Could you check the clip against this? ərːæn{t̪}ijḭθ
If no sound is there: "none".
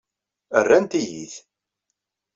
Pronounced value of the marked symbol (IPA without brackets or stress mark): t̪